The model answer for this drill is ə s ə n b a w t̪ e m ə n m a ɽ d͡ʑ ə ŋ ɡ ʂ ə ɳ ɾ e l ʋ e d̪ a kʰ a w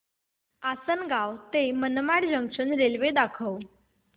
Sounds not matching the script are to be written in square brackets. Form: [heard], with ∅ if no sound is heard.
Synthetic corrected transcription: [a] s ə n [ɡ] a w t̪ e m ə n m a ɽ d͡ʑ ə ŋ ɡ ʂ ə [n] ɾ e l ʋ e d̪ a kʰ [ə] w